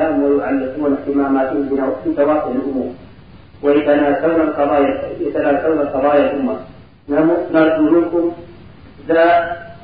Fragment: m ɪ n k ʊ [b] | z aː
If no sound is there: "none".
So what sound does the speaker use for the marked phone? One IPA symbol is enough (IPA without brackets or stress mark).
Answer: m